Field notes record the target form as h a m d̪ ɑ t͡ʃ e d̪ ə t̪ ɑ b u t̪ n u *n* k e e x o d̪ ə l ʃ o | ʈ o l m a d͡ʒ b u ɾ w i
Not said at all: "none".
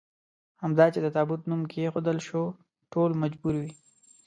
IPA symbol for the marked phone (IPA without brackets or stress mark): m